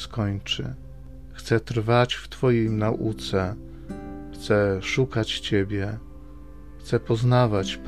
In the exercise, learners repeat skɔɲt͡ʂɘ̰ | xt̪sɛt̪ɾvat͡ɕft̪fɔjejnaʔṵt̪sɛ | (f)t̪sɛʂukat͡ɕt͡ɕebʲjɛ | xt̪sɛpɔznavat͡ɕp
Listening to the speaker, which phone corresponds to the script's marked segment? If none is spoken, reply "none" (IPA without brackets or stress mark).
x